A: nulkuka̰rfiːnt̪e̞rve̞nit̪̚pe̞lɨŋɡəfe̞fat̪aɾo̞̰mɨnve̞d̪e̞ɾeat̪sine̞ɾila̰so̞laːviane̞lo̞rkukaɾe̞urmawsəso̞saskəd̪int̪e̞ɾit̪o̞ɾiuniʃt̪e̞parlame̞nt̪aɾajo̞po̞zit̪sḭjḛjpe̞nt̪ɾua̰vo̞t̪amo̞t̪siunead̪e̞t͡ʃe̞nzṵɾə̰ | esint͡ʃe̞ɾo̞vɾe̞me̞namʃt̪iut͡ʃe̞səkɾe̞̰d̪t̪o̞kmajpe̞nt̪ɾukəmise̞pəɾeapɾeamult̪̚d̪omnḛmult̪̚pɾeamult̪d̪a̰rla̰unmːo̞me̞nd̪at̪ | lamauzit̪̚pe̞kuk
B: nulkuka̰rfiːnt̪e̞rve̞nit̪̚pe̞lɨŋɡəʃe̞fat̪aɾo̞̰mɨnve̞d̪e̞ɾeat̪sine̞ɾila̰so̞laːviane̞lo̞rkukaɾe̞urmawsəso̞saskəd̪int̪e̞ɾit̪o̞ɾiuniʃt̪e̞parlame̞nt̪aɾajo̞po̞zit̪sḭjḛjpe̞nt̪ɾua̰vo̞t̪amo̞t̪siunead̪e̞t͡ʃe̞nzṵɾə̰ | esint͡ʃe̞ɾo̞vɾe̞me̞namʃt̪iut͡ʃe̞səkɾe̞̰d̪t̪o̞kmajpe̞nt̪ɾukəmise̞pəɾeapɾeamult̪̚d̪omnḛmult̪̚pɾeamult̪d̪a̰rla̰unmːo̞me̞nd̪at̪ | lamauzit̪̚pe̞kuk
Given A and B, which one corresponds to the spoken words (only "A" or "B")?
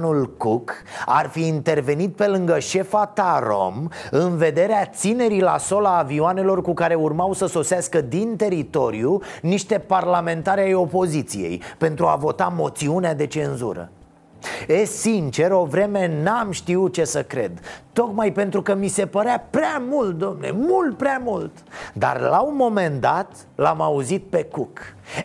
B